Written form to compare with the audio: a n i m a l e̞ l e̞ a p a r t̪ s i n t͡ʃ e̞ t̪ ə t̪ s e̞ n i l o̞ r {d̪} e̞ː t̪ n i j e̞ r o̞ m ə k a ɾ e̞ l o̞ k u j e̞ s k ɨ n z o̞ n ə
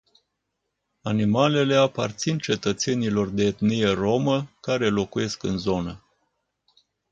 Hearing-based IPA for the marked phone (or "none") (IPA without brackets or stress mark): d̪